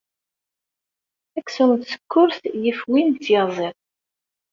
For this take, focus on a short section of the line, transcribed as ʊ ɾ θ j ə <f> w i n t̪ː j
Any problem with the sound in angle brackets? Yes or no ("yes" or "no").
no